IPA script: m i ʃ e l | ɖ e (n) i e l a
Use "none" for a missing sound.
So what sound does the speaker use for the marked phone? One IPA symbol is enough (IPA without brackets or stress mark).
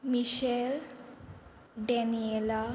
n